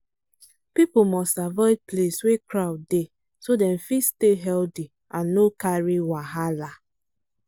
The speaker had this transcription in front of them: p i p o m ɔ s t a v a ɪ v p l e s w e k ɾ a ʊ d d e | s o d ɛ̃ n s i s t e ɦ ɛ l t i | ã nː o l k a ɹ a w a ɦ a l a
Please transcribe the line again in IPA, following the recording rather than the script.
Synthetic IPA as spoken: p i p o m ɔ s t a v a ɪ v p l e s w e k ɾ a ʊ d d e | s o d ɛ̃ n f i s t e ɦ ɛ l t i | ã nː o k a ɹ i w a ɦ a l a